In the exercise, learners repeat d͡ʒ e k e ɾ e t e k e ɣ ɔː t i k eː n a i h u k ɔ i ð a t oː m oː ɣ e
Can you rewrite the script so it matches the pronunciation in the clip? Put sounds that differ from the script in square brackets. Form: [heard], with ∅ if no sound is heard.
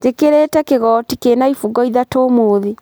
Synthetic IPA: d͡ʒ e k e ɾ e t [ɛ] k e ɣ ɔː t i k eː n a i [f] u [ɡ] ɔ i ð a t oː m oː [ð] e